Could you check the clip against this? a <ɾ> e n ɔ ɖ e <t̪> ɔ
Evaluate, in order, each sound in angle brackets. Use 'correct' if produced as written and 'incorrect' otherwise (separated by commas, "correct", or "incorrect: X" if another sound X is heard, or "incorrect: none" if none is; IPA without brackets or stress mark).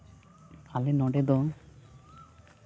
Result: incorrect: l, incorrect: d̪